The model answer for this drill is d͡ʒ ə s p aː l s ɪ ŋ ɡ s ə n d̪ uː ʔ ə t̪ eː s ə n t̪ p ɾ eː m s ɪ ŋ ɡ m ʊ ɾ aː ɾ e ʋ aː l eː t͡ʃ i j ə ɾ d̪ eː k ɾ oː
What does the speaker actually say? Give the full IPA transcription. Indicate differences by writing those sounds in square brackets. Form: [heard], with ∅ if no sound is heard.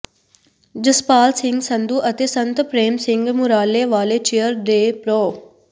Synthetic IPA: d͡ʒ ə s p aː l s ɪ ŋ ɡ s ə n d̪ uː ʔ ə t̪ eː s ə n t̪ p ɾ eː m s ɪ ŋ ɡ m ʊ ɾ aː [l] e ʋ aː l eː t͡ʃ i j ə ɾ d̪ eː [p] ɾ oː